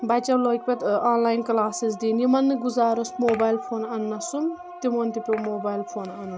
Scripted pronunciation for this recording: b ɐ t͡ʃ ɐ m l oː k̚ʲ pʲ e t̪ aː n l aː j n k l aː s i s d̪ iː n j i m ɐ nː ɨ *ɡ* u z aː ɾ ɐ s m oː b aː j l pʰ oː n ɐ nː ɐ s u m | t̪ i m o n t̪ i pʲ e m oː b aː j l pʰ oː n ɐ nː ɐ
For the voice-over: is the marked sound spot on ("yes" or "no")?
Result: yes